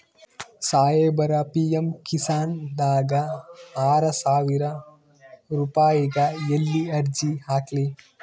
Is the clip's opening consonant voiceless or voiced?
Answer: voiceless